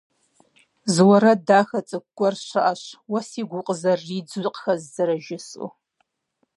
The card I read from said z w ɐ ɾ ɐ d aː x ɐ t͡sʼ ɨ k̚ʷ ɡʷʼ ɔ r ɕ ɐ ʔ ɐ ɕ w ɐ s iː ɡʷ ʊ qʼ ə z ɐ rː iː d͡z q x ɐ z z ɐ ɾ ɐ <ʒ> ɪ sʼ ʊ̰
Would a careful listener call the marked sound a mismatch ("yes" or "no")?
no